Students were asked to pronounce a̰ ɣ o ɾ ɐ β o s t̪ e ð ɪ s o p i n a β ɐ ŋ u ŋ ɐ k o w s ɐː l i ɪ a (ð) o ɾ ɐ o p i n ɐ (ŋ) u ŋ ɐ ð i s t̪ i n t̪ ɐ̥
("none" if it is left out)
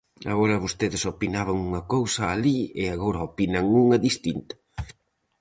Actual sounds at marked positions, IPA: ɣ, ŋ

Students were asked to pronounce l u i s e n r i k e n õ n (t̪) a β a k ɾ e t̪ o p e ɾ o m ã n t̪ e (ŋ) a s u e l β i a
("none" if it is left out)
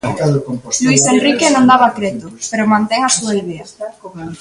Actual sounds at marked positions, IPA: d̪, ŋ

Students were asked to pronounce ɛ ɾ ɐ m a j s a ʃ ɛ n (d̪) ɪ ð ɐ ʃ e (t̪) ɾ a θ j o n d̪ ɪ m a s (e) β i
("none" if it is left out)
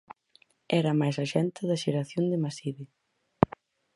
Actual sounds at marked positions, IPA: t̪, none, i

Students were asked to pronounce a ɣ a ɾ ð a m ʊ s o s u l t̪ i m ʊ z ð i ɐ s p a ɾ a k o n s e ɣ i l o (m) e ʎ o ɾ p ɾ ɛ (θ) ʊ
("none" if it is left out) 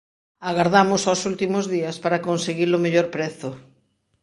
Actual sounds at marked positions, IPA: m, θ

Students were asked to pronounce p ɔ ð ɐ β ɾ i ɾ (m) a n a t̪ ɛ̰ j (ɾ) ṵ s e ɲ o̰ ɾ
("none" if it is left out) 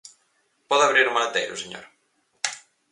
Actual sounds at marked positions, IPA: m, ɾ

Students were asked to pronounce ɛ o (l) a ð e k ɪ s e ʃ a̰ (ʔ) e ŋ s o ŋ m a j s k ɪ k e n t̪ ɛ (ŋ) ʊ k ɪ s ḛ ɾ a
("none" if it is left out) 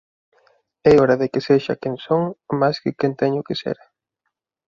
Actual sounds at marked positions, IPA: ɾ, k, ɲ

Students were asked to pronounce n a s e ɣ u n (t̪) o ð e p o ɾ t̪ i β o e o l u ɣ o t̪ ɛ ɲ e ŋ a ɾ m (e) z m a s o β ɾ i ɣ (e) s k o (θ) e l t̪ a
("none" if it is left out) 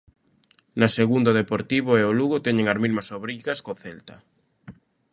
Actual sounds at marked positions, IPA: d̪, i, a, θ

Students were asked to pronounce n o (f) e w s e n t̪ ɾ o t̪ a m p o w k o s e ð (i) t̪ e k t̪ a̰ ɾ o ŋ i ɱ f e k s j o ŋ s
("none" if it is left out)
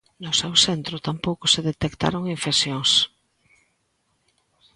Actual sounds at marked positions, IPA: s, e

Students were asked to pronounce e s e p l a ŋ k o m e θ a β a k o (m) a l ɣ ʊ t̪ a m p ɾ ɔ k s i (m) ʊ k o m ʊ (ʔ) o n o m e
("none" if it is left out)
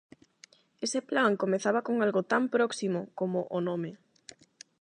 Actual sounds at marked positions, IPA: ŋ, m, ʔ

